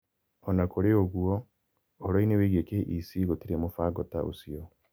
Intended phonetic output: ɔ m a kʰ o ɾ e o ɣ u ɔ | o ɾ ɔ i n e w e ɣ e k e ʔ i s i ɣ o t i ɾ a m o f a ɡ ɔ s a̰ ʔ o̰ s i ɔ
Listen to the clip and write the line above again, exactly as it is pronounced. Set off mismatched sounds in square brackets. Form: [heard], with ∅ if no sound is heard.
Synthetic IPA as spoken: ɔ [n] a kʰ o ɾ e o ɣ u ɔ | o ɾ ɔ i n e w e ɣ e k e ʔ i s i ɣ o t i ɾ [e] m o f a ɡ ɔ [t] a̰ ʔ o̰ s i ɔ